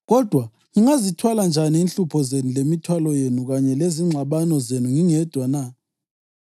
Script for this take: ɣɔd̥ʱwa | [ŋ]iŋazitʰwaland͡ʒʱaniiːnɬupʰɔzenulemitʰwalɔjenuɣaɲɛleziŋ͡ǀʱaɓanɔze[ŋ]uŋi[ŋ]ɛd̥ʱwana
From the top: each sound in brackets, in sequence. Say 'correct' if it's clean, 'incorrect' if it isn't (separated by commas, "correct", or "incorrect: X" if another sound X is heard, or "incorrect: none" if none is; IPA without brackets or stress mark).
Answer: correct, incorrect: n, correct